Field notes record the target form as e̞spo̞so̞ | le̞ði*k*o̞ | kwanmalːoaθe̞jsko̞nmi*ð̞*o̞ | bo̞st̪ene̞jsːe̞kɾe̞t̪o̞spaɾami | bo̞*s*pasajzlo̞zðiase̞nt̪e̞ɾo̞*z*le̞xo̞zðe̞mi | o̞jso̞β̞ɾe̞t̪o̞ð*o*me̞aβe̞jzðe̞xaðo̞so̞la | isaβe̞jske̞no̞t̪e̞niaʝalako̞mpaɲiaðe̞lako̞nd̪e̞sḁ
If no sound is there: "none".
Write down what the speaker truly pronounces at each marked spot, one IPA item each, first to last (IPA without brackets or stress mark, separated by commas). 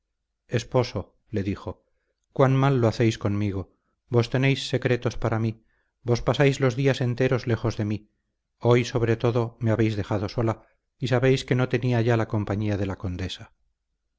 x, ɣ̞, s, z, o